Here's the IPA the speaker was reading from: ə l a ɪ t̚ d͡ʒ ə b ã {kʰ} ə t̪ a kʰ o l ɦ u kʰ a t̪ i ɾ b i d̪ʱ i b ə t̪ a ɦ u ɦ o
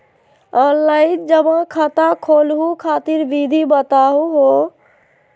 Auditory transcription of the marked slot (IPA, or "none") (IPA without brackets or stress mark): kʰ